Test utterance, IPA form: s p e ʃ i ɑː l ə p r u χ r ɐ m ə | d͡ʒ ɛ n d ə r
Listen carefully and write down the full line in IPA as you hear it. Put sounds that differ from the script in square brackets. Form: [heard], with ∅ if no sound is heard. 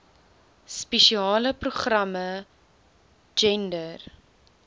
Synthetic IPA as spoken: s p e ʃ i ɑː l ə p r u χ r ɐ m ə | d͡ʒ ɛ n d ə r